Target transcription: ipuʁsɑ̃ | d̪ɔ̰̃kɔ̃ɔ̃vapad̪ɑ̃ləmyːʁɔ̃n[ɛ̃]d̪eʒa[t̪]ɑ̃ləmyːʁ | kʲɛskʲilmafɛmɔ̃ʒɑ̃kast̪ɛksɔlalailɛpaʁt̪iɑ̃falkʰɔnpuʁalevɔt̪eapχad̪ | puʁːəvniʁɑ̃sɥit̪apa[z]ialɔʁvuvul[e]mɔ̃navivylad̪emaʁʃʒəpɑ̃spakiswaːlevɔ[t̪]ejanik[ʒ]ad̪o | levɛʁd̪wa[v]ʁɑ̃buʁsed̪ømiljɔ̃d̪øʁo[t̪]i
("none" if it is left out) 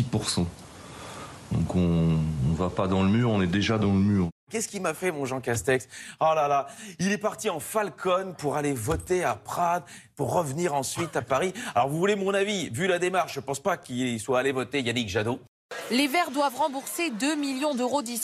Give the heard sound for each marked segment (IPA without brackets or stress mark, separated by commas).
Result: ɛ, d̪, ʁ, e, t̪, ʒ, v, d̪